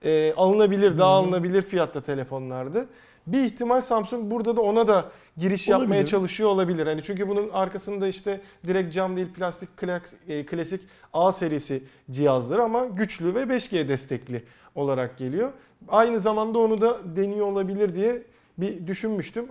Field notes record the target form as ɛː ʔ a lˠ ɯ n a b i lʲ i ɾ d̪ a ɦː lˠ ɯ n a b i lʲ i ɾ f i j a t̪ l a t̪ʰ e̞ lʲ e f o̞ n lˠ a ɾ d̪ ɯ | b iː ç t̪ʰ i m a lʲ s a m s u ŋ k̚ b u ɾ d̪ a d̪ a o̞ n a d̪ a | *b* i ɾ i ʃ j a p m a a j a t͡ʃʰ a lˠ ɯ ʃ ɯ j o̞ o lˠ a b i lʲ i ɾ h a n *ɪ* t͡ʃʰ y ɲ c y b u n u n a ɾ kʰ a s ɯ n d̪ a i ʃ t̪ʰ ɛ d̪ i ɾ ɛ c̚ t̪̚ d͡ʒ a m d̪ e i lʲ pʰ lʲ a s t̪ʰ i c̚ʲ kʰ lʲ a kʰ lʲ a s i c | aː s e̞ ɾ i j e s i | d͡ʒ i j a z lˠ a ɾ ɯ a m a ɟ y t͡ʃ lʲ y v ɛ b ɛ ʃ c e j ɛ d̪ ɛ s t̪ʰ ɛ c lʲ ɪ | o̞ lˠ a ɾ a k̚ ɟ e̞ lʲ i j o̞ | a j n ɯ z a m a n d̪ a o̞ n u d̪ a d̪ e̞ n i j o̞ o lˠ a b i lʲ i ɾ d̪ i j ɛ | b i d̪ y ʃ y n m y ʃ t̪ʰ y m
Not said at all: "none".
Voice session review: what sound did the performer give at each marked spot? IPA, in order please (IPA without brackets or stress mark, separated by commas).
ɟ, i